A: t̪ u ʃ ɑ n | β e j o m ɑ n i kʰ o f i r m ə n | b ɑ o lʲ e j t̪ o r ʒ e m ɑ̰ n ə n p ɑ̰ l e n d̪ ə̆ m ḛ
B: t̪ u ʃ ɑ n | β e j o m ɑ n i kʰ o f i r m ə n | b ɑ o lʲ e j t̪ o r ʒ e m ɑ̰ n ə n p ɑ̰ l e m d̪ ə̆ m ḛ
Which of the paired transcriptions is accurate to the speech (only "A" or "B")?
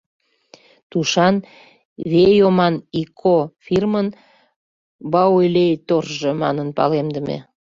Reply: B